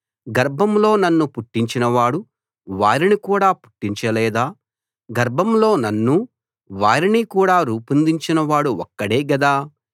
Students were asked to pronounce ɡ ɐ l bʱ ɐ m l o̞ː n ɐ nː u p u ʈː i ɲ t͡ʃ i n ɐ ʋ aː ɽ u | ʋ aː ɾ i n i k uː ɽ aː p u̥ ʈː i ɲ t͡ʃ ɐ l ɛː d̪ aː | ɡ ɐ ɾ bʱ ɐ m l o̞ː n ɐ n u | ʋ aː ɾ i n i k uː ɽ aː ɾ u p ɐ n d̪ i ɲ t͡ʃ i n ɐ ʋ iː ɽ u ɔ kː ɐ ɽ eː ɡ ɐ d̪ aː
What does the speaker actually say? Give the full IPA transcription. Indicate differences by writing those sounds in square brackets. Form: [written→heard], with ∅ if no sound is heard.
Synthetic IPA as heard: ɡ ɐ [l→ɾ] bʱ ɐ m l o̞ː n ɐ nː u p u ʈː i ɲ t͡ʃ i n ɐ ʋ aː ɽ u | ʋ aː ɾ i n i k uː ɽ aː p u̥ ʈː i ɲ t͡ʃ ɐ l ɛː d̪ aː | ɡ ɐ ɾ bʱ ɐ m l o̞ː n ɐ [n→nː] u | ʋ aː ɾ i n i k uː ɽ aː ɾ [u→uː] p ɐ n d̪ i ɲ t͡ʃ i n ɐ ʋ [iː→aː] ɽ u ɔ kː ɐ ɽ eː ɡ ɐ d̪ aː